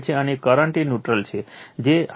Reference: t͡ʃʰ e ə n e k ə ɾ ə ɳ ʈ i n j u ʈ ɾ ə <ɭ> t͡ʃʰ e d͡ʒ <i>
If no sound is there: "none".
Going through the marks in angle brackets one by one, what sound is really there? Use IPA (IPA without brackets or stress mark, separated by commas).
l, e